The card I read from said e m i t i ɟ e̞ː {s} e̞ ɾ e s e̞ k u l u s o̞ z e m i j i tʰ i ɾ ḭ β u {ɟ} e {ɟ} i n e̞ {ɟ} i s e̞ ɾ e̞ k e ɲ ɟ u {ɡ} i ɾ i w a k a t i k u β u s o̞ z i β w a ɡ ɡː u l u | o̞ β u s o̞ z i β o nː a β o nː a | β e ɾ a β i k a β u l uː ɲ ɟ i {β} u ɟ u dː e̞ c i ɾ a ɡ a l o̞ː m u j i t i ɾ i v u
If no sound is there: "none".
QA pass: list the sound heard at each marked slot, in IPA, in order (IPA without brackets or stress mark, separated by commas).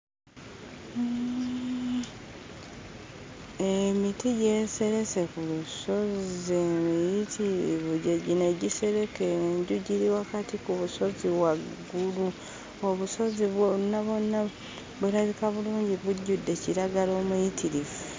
s, ɟ, ɟ, ɟ, ɟ, β